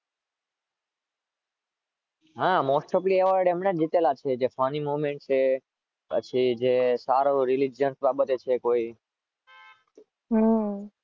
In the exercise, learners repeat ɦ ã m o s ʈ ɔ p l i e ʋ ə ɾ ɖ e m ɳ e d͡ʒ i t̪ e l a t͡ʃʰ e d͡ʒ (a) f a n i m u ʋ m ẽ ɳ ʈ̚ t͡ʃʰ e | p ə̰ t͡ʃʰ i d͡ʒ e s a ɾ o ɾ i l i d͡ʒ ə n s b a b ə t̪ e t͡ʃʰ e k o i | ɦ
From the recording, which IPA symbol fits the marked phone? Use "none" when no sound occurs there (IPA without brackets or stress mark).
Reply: e